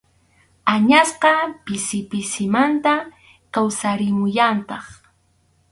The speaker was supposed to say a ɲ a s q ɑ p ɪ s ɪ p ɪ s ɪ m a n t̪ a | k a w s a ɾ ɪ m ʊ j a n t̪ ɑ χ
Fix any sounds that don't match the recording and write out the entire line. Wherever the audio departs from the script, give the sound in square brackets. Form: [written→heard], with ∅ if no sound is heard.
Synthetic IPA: a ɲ a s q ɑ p ɪ s ɪ p ɪ s ɪ m a n t̪ a | k a w s a ɾ ɪ m ʊ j a n t̪ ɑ χ